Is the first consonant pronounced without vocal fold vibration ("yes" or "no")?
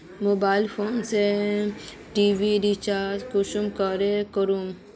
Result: no